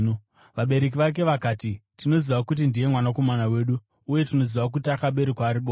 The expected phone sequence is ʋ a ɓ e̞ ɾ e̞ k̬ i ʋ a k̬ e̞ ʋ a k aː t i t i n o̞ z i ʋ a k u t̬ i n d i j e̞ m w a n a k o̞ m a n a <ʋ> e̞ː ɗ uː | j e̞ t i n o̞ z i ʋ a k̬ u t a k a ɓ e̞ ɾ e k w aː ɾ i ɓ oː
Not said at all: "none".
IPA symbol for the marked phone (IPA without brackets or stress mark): w